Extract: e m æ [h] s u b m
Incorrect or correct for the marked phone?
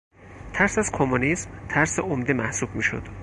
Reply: correct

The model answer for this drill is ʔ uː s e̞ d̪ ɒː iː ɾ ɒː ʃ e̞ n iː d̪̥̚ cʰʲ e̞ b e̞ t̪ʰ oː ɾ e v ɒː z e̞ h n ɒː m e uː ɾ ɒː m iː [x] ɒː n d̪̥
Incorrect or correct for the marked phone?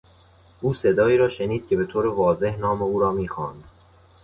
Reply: correct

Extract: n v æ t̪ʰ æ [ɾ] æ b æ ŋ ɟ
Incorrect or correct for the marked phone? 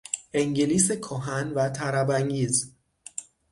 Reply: correct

